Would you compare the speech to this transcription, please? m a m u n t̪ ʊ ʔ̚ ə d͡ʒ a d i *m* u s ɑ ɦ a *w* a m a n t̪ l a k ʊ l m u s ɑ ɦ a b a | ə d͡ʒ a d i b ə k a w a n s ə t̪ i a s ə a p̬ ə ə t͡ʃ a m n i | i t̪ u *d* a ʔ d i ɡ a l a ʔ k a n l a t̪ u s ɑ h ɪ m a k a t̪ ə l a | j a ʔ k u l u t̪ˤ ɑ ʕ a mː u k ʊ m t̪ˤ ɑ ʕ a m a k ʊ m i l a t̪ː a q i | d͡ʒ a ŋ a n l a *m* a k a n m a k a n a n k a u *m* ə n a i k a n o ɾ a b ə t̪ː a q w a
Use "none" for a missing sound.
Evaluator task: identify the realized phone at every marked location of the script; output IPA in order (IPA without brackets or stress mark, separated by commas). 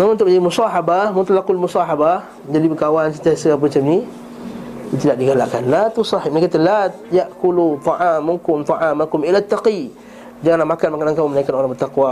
m, b, d, m, m